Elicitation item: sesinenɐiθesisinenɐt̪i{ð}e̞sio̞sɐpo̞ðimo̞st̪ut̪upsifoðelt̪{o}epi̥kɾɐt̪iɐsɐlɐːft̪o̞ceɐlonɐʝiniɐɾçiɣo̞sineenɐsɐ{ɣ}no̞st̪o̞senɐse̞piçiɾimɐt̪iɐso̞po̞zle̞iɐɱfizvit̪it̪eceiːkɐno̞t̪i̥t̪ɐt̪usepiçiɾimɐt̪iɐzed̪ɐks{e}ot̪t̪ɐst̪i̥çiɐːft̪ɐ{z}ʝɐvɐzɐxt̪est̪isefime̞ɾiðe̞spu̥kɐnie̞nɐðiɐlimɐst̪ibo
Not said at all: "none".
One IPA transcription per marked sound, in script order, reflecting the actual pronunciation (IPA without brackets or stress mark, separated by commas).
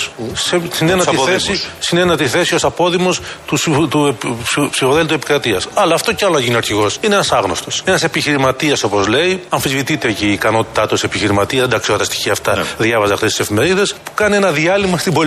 θ, u, ɣ, i, ð